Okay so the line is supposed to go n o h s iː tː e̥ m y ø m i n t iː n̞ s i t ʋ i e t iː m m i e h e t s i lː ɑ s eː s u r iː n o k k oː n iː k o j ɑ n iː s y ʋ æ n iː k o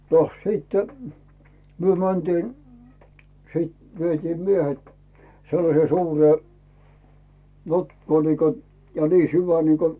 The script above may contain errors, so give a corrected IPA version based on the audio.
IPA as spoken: n o h s iː tː e̥ m y ø m æ n t iː n̞ s iː t ʋ i e t iː m m i e h e t s e lː ɑ s eː s uː r eː n o t k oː n iː k o j ɑ n iː s y ʋ æ n iː k o